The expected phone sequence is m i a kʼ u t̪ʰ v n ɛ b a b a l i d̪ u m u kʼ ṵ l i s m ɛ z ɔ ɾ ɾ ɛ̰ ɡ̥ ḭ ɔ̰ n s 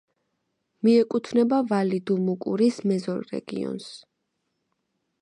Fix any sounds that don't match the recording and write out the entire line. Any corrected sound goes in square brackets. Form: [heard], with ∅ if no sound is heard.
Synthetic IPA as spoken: m i [ɛ] kʼ u t̪ʰ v n ɛ b a [v] a l i d̪ u m u kʼ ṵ [ɾ] i s m ɛ z ɔ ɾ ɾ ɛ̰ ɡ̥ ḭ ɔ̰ n s